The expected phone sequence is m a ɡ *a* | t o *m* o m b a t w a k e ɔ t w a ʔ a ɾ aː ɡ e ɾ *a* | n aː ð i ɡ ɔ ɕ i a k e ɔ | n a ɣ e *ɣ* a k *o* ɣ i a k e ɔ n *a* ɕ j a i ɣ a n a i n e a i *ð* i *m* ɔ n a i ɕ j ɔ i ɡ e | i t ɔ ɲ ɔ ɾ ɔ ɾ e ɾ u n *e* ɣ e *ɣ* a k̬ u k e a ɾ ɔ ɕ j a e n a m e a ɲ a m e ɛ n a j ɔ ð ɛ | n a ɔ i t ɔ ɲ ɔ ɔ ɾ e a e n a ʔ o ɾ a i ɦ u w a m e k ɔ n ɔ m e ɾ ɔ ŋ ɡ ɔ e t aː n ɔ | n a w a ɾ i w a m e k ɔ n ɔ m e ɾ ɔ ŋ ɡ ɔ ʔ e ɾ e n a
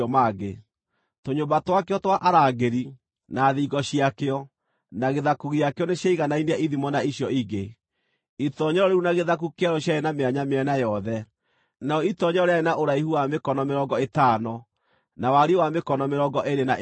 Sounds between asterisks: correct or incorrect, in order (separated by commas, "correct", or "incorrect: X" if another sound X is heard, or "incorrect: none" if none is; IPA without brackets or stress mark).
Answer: incorrect: e, incorrect: ɲ, incorrect: i, incorrect: ð, incorrect: u, incorrect: e, correct, correct, incorrect: a, incorrect: ð